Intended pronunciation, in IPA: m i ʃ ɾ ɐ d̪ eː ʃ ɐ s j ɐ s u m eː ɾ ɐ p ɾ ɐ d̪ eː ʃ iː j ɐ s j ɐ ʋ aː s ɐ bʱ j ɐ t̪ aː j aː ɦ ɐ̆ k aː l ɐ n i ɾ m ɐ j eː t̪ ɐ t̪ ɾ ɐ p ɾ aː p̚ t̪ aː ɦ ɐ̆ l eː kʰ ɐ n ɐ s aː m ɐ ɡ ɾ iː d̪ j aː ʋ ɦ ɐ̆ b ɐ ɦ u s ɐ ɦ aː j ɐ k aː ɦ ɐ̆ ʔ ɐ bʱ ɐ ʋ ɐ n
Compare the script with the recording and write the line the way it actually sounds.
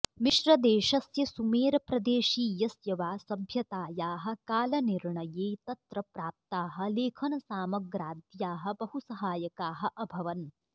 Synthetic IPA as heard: m i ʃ ɾ ɐ d̪ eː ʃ ɐ s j ɐ s u m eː ɾ ɐ p ɾ ɐ d̪ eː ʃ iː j ɐ s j ɐ ʋ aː s ɐ bʱ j ɐ t̪ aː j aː ɦ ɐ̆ k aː l ɐ n i ɾ ɳ ɐ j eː t̪ ɐ t̪ ɾ ɐ p ɾ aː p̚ t̪ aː ɦ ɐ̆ l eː kʰ ɐ n ɐ s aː m ɐ ɡ ɾ aː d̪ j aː ɦ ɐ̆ b ɐ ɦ u s ɐ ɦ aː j ɐ k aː ɦ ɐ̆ ʔ ɐ bʱ ɐ ʋ ɐ n